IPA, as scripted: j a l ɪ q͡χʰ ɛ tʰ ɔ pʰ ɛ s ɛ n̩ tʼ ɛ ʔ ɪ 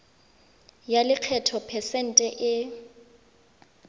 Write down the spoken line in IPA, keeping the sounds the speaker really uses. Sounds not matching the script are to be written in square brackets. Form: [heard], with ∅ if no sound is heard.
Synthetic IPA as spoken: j a l ɪ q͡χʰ ɛ tʰ ɔ pʰ ɛ s ɛ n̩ tʼ ɛ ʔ ɪ